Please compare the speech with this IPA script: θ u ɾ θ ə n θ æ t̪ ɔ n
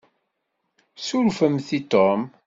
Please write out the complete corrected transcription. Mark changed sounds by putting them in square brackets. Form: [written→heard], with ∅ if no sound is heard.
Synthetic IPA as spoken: [θ→s] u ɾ [θ→f] ə [n→m] θ [æ→i] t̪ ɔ [n→m]